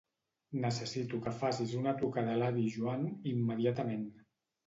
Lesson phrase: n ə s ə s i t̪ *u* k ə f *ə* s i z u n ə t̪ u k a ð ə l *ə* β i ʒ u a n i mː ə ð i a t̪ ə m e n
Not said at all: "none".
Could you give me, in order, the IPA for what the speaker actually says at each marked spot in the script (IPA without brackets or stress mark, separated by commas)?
u, a, a